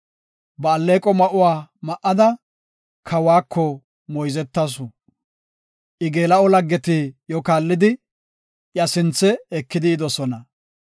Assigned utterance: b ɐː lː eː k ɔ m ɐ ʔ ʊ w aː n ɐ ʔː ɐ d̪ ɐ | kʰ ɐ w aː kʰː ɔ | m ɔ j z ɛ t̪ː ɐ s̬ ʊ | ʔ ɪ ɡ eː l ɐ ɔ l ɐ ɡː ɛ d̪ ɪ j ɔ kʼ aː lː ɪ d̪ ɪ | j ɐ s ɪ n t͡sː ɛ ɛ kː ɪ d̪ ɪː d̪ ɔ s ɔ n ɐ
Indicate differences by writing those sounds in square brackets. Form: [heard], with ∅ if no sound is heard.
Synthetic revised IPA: b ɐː lː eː [kʼ] ɔ m ɐ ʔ ʊ w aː [m] ɐ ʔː ɐ d̪ ɐ | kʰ ɐ w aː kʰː ɔ | m ɔ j z ɛ t̪ː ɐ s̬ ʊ | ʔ ɪ ɡ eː l ɐ ɔ l ɐ ɡː ɛ [t̪] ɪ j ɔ [k] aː lː ɪ d̪ ɪ | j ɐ s ɪ n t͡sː ɛ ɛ kː ɪ d̪ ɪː d̪ ɔ s ɔ n ɐ